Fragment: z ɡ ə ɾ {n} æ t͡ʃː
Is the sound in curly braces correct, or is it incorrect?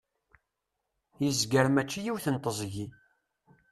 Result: incorrect